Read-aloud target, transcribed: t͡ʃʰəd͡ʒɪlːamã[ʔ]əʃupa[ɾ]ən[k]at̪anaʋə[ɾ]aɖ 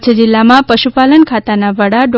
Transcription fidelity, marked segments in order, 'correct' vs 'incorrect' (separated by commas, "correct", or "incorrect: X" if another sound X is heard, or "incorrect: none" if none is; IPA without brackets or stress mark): incorrect: p, incorrect: l, incorrect: kʰ, incorrect: ɽ